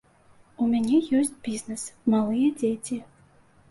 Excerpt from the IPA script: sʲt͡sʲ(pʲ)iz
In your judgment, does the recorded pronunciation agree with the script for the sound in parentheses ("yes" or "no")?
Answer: no